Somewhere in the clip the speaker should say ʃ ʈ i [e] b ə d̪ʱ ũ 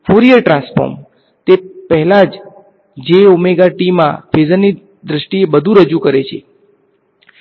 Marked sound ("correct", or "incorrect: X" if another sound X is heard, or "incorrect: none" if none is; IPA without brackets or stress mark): correct